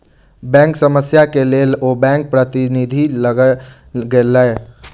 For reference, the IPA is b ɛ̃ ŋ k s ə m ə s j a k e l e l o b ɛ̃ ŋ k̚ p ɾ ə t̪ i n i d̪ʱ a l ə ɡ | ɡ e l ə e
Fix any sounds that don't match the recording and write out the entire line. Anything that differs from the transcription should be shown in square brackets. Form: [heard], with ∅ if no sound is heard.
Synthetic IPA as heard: b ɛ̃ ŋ k s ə m ə s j a k e l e l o b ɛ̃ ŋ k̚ p ɾ ə t̪ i n i d̪ʱ [i] l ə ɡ | ɡ e l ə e